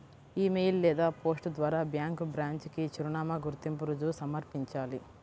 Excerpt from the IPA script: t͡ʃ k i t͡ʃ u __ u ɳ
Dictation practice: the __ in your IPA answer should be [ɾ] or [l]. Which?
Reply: ɾ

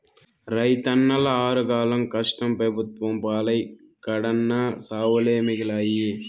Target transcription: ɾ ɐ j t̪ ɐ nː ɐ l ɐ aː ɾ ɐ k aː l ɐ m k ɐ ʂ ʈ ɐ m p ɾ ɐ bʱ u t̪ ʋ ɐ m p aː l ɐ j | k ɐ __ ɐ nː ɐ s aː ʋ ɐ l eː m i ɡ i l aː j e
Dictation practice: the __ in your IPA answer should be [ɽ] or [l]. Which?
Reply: ɽ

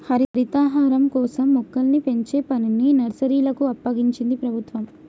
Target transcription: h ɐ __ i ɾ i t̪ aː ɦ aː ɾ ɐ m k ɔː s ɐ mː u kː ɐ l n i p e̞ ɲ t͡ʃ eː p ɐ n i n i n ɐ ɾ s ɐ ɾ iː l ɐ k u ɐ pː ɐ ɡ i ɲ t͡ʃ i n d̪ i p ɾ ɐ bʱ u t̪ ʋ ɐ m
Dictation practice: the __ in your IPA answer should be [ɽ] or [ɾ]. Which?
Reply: ɾ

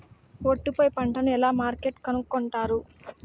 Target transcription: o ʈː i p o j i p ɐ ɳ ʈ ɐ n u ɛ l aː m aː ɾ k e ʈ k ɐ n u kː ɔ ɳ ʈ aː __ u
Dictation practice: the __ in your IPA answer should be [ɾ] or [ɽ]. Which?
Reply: ɾ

